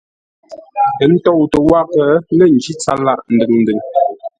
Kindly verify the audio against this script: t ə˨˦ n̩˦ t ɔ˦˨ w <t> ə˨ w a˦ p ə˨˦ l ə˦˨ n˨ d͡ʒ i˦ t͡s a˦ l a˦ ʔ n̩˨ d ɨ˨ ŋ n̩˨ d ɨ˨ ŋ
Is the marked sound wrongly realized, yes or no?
no